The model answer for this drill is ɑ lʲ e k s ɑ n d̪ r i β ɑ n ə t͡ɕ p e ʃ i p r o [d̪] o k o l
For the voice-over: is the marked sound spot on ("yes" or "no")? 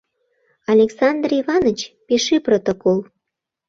no